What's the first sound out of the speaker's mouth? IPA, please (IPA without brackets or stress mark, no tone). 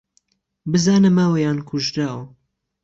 b